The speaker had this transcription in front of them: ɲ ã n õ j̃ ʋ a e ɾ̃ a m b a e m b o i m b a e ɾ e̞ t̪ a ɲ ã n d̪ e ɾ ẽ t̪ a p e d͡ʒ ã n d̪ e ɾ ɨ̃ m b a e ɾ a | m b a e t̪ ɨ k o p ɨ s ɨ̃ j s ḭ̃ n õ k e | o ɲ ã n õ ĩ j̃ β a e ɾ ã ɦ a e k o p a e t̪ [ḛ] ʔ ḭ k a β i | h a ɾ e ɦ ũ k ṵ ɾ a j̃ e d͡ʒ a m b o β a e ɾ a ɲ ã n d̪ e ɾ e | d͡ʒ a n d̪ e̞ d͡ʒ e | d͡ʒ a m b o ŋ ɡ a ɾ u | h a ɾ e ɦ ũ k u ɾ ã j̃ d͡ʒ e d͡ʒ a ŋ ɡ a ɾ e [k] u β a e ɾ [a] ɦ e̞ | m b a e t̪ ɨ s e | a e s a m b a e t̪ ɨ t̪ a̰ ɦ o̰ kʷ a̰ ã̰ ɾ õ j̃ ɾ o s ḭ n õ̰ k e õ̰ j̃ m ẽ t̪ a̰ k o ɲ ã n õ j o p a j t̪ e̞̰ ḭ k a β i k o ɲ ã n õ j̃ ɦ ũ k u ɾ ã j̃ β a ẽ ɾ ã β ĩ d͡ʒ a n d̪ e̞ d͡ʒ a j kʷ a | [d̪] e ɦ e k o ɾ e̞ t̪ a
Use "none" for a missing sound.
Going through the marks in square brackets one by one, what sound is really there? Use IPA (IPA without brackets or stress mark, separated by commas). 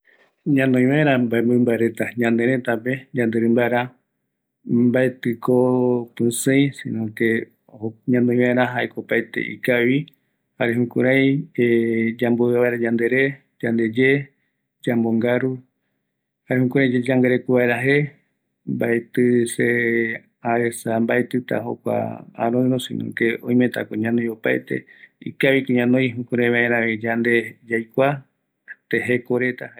ḛ, k, a, t̪